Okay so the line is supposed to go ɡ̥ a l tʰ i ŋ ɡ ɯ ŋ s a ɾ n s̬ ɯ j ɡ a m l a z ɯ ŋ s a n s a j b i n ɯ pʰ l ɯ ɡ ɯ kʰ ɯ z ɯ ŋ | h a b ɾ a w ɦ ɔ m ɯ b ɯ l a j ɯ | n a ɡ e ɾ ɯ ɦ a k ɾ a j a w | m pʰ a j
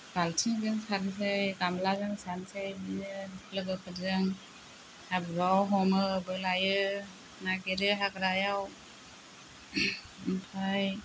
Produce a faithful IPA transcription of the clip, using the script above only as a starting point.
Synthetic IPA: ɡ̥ a l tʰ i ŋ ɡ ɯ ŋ s a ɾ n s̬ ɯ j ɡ a m l a z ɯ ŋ s a n s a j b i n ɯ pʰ l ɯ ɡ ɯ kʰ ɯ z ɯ ŋ | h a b ɾ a w ɦ ɔ m ɯ b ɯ l a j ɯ | n a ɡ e ɾ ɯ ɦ a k ɾ a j a w | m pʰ a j